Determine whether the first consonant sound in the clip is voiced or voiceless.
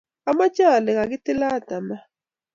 voiced